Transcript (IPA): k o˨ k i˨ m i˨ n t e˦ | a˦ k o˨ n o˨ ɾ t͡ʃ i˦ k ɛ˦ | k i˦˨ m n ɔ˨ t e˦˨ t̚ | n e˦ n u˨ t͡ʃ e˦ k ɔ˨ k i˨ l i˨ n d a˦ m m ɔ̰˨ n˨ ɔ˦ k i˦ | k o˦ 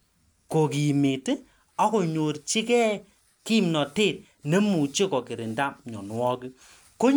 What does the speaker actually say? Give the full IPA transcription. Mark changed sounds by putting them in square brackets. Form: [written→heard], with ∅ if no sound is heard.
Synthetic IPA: k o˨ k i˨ m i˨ [n→∅] t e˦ | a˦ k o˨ [n→ɲ] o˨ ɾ t͡ʃ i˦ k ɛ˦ | k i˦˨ m n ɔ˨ t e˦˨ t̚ | n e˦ [n→m] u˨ t͡ʃ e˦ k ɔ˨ k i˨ [l→ɾ] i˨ n d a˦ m [m→ɲ] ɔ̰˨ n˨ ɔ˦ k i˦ | k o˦

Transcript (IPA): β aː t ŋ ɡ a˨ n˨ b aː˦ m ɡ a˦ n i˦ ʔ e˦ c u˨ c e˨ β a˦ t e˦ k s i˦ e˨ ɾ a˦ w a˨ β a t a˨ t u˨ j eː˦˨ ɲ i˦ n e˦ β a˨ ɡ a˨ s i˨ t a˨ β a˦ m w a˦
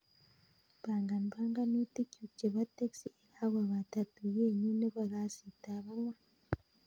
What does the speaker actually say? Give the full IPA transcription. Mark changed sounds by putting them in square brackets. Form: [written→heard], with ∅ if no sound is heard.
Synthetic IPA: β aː [t→∅] ŋ ɡ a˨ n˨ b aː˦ [m→ŋ] ɡ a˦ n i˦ [ʔ→t] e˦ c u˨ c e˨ β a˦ t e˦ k s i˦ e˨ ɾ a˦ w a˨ β a t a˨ t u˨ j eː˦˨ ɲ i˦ n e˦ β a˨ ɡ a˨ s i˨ t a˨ β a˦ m w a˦

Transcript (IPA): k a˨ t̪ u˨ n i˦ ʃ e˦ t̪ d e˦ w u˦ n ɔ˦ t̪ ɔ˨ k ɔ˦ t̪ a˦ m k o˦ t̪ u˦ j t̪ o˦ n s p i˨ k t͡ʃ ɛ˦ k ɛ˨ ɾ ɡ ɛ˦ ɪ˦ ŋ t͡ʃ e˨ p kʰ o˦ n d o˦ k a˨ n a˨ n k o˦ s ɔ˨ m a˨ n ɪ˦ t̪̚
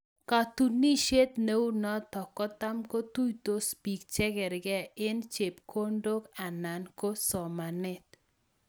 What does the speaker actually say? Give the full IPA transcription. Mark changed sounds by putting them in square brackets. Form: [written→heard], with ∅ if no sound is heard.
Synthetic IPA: k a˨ t̪ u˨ n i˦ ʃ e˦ t̪ [d→n] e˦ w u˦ n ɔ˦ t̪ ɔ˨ k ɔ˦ t̪ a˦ m k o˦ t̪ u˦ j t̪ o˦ [n→∅] s p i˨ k t͡ʃ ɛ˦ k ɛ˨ ɾ ɡ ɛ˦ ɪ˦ [ŋ→n] t͡ʃ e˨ p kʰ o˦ n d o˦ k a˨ n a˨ n k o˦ s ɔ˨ m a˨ n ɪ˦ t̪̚

